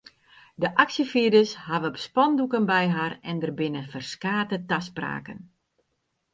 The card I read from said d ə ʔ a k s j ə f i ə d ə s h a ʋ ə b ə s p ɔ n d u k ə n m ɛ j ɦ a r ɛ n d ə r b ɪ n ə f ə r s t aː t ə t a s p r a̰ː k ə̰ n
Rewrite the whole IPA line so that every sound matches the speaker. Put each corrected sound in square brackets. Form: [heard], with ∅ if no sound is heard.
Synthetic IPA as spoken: d ə ʔ a k s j ə f i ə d ə s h a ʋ ə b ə s p ɔ n d u k ə n [b] ɛ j ɦ a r ɛ n d ə r b ɪ n ə f ə r s [k] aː t ə t a s p r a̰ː k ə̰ n